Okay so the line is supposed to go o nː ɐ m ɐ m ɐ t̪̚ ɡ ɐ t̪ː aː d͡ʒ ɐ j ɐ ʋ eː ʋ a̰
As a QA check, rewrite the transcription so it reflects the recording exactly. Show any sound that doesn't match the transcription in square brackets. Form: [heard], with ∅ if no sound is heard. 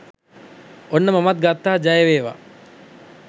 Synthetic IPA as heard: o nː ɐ m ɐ m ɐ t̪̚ ɡ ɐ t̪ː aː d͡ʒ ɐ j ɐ ʋ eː ʋ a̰